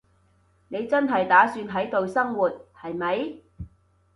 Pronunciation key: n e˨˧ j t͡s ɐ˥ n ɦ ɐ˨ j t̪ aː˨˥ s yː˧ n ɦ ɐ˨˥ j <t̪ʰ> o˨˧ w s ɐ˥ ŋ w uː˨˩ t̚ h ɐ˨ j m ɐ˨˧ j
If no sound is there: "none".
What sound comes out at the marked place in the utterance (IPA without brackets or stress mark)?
t̪